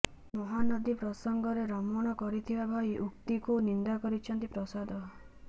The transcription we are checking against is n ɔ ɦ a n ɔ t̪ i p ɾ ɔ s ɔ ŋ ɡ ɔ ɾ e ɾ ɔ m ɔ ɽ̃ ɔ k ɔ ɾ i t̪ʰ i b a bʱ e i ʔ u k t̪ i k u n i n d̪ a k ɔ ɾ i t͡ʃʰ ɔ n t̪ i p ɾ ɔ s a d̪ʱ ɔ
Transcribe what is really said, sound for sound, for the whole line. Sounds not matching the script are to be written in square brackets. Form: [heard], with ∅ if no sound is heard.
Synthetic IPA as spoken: [m] ɔ ɦ a n ɔ [d̪] i p ɾ ɔ s ɔ ŋ ɡ ɔ ɾ e ɾ ɔ m ɔ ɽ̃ ɔ k ɔ ɾ i t̪ʰ i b a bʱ [a] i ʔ u k t̪ i k u n i n d̪ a k ɔ ɾ i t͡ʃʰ ɔ n t̪ i p ɾ ɔ s a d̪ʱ ɔ